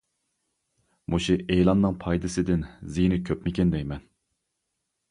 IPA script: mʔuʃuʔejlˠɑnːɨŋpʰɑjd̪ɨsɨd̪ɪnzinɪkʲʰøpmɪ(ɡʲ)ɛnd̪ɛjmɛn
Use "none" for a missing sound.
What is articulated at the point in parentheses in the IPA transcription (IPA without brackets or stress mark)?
kʲ